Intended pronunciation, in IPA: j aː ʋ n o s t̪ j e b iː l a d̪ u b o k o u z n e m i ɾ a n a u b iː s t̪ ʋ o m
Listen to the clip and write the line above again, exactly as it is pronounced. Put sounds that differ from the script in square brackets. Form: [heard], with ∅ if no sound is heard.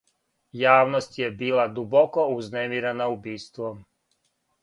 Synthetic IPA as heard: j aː ʋ n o s t̪ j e b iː l a d̪ u b o k o u z n e m i ɾ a n a u b iː s t̪ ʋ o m